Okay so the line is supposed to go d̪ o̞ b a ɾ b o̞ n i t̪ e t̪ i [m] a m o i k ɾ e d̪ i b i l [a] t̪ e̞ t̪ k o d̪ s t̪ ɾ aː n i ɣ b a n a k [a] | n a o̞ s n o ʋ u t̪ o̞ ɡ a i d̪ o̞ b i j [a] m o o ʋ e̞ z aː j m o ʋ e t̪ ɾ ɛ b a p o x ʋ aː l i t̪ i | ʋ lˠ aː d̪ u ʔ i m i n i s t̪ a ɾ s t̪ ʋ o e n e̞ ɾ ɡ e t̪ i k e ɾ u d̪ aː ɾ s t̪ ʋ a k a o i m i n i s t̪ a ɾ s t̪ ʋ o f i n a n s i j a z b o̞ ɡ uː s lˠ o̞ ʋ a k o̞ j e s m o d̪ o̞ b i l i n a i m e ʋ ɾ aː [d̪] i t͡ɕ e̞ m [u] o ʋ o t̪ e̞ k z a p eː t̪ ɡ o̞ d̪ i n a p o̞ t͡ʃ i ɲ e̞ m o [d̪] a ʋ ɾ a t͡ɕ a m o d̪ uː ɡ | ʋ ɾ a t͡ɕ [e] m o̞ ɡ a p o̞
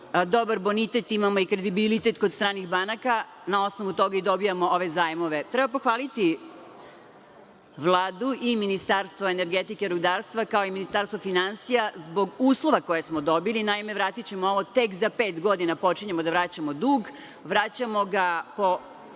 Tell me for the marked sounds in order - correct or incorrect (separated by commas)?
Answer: correct, incorrect, correct, correct, incorrect, incorrect, correct, incorrect